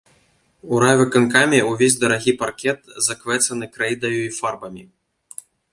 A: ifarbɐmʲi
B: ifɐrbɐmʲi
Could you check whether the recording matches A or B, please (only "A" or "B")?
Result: A